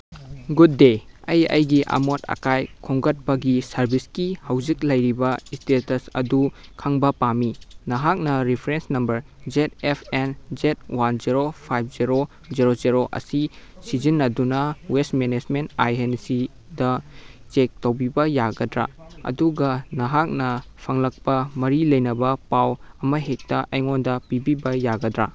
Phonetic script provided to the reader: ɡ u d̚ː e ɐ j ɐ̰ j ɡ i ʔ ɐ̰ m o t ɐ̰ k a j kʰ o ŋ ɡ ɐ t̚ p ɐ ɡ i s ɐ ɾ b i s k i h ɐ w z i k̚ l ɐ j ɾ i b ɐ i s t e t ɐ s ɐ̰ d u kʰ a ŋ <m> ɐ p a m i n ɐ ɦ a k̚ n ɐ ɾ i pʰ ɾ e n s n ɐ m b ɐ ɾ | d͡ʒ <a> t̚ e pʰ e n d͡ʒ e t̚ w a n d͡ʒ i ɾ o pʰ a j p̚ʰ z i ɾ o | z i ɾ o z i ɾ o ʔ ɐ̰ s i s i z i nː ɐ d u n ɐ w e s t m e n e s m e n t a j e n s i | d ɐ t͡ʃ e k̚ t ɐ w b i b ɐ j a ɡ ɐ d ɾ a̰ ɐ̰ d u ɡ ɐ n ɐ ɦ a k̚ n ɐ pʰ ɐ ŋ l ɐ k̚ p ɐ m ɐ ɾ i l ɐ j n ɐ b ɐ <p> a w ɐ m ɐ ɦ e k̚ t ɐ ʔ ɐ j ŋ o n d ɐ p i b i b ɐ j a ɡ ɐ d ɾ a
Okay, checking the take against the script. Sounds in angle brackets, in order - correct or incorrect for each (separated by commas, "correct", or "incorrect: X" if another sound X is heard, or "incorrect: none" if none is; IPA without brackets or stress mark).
incorrect: b, incorrect: e, correct